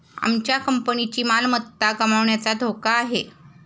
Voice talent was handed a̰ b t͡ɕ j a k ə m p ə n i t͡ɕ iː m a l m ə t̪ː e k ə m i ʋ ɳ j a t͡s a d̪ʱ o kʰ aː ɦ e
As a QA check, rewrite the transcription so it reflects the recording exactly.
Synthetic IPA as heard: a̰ m t͡ɕ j a k ə m p ə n i t͡ɕ iː m a l m ə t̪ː a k ə m a ʋ ɳ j a t͡s a d̪ʱ o k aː ɦ e